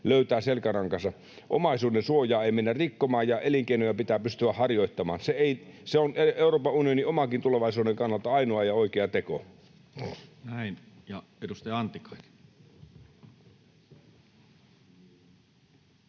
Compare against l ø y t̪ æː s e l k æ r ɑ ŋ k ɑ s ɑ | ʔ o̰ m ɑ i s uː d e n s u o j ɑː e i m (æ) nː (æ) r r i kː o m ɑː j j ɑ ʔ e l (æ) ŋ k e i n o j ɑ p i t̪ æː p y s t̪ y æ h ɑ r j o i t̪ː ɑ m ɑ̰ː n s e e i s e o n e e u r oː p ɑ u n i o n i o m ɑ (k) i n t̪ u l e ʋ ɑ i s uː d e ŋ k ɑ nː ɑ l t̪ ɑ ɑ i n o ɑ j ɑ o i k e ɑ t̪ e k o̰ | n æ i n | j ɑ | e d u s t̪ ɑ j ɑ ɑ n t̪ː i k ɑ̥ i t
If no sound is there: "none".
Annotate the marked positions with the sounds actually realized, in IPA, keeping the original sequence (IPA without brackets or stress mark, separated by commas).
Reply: e, æ, i, k